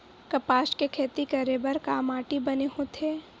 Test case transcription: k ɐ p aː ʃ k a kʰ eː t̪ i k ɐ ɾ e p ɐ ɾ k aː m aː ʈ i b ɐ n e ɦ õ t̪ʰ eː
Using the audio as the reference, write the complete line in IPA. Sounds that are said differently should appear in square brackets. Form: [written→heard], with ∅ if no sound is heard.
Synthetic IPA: k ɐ p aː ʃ k [a→e] kʰ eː t̪ i k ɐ ɾ e [p→b] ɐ ɾ k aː m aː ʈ i b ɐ n e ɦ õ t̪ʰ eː